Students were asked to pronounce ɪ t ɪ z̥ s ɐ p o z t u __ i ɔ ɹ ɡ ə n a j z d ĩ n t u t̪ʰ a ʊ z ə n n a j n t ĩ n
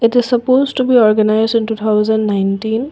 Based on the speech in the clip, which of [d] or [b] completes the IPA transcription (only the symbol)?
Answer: b